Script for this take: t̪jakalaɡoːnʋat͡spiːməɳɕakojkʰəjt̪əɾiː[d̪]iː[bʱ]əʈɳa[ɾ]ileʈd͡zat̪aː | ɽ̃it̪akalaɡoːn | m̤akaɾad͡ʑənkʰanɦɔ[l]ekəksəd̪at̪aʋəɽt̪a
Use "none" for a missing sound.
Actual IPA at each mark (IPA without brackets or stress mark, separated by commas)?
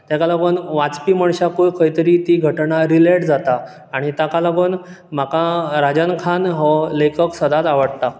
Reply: t̪, ɡʱ, ɾ, l